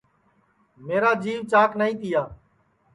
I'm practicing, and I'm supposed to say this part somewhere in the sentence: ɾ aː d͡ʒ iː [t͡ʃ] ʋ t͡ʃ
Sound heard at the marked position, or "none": none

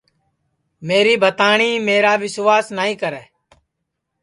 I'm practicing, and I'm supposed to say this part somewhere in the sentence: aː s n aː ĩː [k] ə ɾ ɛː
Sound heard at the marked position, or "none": k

